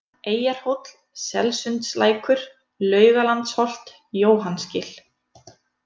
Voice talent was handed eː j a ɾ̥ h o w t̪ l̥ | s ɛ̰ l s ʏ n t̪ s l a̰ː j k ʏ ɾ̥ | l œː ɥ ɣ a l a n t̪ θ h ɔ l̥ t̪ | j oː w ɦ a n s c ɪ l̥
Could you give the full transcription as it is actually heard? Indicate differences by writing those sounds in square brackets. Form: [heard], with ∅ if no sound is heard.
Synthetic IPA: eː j a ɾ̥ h o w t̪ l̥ | s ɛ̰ l s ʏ n t̪ s l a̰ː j k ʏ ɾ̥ | l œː ɥ ɣ a l a n t̪ [s] h ɔ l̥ t̪ | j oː w ɦ a n s c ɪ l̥